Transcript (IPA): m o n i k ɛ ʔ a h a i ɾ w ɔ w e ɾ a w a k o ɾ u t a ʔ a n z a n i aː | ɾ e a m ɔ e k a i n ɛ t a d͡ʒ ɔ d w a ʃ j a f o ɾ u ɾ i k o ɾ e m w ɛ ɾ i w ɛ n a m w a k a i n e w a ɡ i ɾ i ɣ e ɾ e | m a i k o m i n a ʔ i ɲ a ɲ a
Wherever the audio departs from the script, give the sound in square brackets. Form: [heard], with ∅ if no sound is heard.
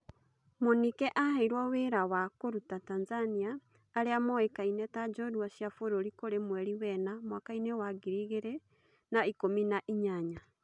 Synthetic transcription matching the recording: m o n i k ɛ ʔ a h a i ɾ w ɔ w e ɾ a w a k o ɾ u t a [t] a n z a n i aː | ɾ e a m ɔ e k a i n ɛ t a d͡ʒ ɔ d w a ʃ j a f o ɾ [o] ɾ i k o ɾ e m w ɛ ɾ i w ɛ n a m w a k a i n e w a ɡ i ɾ i ɣ e ɾ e | [n] a i k o m i n a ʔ i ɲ a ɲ a